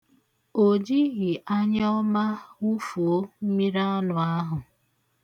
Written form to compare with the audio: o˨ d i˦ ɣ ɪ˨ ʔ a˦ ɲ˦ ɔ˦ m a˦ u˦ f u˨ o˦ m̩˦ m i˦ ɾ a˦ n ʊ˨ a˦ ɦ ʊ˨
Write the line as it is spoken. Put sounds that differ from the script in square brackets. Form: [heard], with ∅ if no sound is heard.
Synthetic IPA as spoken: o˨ [d͡ʒ] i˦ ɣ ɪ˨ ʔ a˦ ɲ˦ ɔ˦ m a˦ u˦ f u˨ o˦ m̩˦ m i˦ ɾ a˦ n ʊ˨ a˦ ɦ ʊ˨